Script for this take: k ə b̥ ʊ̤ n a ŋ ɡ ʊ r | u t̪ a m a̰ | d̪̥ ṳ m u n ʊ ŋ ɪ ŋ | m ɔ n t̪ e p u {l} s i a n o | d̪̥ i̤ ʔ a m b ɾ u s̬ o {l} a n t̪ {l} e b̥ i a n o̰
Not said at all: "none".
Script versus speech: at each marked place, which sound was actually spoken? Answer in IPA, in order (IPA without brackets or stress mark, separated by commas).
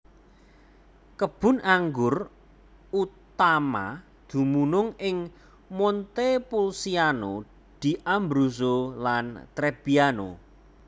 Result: l, l, ɾ